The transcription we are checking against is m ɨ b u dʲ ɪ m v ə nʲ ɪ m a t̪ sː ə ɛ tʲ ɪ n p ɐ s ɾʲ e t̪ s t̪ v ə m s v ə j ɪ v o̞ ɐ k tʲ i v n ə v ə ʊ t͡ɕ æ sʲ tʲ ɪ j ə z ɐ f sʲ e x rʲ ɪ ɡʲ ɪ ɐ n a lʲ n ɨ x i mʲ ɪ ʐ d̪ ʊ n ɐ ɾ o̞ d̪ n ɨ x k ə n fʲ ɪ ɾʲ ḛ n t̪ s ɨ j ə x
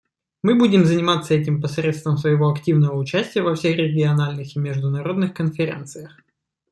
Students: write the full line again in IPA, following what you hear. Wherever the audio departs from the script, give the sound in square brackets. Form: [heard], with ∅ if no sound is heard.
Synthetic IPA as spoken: m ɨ b u dʲ ɪ m [z] ə nʲ ɪ m a t̪ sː ə ɛ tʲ ɪ [m] p ɐ s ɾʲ e t̪ s t̪ v ə m s v ə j ɪ v o̞ ɐ k tʲ i v n ə v ə ʊ t͡ɕ æ sʲ tʲ ɪ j ə [v] ɐ f sʲ e x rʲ ɪ ɡʲ ɪ ɐ n a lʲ n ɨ x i mʲ ɪ ʐ d̪ ʊ n ɐ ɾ o̞ d̪ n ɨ x k ə n fʲ ɪ ɾʲ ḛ n t̪ s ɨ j ə x